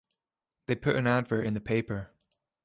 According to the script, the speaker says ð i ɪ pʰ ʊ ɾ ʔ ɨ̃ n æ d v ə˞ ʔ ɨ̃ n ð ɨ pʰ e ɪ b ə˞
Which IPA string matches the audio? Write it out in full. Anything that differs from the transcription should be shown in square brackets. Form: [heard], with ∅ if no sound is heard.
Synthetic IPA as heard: ð [e] ɪ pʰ ʊ ɾ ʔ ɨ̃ n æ d v ə˞ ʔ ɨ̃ n ð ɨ pʰ e ɪ [p] ə˞